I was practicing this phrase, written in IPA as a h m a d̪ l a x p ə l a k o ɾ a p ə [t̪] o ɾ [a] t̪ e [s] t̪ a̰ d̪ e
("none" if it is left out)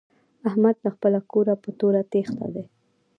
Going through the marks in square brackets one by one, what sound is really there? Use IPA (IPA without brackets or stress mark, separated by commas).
t̪, a, x